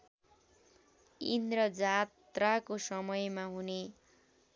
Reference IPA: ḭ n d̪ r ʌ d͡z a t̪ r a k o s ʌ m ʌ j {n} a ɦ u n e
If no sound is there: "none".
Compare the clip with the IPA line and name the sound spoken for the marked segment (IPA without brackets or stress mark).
m